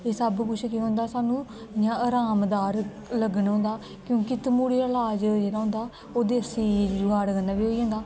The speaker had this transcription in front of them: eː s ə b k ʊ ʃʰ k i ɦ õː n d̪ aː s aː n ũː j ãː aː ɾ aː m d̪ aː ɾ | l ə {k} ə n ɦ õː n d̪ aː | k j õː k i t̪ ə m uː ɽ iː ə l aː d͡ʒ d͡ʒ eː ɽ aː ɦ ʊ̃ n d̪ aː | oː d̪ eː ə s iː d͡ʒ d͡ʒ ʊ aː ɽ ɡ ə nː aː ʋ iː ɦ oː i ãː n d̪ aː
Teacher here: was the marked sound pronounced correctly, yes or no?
no